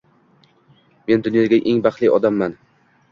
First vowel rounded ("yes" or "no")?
no